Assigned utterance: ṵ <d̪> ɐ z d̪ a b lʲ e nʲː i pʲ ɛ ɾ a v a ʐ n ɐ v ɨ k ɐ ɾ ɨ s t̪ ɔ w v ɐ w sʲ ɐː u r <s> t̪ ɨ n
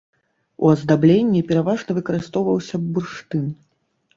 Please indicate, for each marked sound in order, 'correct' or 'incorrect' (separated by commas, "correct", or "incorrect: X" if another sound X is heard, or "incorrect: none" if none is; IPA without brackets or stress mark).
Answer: incorrect: none, incorrect: ʂ